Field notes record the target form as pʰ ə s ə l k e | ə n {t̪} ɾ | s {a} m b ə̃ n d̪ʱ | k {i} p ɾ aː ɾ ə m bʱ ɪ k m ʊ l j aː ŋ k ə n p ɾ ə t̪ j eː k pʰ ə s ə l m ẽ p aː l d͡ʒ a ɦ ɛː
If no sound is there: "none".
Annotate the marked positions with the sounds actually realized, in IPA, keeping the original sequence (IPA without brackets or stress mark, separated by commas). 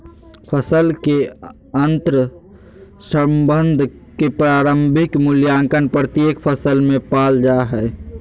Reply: t̪, ə, e